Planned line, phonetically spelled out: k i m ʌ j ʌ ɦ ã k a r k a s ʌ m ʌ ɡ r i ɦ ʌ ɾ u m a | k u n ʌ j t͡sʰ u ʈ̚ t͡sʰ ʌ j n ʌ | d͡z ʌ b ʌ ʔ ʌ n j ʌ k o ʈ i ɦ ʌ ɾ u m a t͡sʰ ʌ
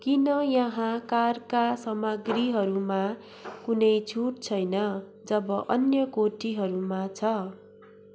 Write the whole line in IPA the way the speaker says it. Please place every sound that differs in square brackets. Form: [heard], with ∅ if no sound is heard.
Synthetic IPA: k i [n] ʌ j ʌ ɦ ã k a r k a s ʌ m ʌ ɡ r i ɦ ʌ ɾ u m a | k u n ʌ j t͡sʰ u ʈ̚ t͡sʰ ʌ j n ʌ | d͡z ʌ b ʌ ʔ ʌ n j ʌ k o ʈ i ɦ ʌ ɾ u m a t͡sʰ ʌ